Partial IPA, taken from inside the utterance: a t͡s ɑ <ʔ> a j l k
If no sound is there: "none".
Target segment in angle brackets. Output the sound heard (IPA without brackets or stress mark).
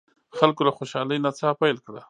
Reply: p